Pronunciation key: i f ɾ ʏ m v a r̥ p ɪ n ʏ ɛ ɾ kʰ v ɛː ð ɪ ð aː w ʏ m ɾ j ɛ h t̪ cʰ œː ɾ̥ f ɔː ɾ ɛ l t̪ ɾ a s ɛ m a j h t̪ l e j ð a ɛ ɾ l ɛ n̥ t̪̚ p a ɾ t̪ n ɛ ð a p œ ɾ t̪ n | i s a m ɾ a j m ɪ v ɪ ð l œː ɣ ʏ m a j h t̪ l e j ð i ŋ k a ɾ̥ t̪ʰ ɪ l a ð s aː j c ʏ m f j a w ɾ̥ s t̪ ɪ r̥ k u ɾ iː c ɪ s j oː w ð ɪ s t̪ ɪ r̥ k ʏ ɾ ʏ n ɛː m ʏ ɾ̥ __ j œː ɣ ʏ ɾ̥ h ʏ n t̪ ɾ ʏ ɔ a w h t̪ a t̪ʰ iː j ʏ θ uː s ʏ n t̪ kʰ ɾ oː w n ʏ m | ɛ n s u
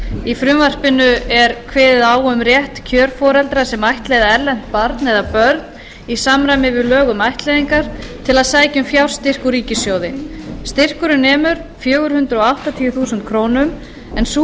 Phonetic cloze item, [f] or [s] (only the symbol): f